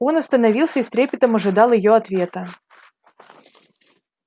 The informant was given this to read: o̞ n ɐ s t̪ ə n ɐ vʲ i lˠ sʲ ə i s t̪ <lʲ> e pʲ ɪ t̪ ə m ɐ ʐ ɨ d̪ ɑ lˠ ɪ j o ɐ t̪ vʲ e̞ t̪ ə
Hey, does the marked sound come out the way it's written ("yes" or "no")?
no